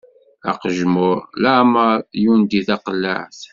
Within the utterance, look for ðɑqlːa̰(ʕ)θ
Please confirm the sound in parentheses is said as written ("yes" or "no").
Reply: yes